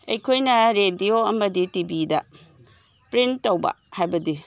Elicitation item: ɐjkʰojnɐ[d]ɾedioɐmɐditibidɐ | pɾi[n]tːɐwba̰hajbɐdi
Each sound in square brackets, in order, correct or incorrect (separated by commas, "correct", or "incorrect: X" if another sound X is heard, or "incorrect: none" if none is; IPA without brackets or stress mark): incorrect: none, correct